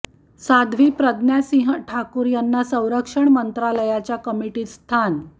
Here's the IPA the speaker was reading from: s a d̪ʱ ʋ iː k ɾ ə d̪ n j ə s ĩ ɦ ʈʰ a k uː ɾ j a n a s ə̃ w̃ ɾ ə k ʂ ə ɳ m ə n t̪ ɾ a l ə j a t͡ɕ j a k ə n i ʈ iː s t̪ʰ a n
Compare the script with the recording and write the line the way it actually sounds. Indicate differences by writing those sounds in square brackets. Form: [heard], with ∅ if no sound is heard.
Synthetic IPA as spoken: s a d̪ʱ ʋ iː [p] ɾ ə d̪ n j [a] s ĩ ɦ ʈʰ a k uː ɾ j a [nː] a s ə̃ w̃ ɾ ə k ʂ ə ɳ m ə n t̪ ɾ a l ə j a t͡ɕ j a k ə [m] i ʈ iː s t̪ʰ a n